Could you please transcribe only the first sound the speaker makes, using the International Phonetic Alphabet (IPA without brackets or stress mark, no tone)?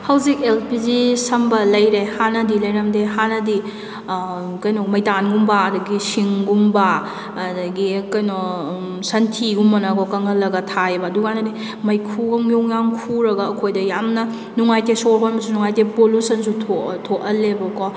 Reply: h